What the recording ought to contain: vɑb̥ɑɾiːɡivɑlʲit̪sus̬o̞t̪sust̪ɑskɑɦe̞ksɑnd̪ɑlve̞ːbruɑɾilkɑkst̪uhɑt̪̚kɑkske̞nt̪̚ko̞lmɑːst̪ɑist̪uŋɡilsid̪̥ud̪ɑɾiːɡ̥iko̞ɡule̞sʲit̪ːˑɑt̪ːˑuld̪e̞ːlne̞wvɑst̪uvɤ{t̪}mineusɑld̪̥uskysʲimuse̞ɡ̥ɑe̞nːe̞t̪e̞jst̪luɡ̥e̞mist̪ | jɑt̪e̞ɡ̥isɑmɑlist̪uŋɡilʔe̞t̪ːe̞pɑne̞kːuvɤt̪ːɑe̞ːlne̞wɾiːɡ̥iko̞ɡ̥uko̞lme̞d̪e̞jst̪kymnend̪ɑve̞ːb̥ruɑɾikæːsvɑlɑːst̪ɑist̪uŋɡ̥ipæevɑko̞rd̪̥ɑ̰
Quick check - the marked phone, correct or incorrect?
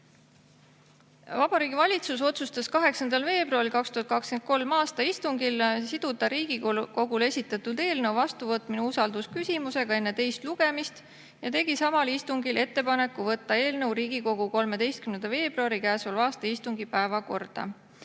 correct